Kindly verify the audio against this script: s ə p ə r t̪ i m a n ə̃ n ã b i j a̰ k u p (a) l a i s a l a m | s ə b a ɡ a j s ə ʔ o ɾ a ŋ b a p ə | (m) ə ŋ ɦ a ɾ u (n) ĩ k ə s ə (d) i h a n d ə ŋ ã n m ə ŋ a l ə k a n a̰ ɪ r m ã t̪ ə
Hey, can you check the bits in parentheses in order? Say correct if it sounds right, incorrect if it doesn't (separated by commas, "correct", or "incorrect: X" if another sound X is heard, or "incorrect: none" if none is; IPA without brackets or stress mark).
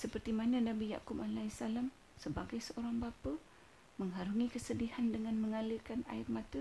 correct, correct, incorrect: ŋ, correct